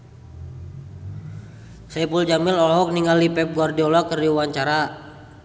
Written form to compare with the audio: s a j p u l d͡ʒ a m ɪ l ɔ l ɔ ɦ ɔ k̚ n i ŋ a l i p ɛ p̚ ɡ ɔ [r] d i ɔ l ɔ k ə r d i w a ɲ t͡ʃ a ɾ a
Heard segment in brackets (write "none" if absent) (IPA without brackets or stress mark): r